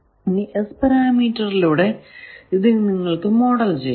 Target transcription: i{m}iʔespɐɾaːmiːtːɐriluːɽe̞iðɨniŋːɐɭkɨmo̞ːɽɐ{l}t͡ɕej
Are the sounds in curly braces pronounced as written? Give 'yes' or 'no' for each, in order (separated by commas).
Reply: no, yes